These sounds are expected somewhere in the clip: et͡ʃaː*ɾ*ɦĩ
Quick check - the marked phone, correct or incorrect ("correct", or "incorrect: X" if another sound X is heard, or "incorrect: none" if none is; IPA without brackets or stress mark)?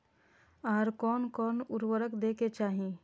incorrect: none